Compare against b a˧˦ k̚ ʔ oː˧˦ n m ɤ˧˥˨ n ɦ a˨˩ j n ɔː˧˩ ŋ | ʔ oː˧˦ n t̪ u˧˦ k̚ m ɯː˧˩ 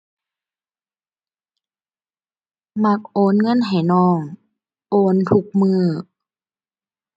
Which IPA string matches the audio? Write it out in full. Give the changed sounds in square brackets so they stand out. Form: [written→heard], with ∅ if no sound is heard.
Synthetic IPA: [b→m] a˧˦ k̚ ʔ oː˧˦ n [m→ŋ] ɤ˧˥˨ n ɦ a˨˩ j n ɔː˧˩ ŋ | ʔ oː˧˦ n [t̪→t̪ʰ] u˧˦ k̚ m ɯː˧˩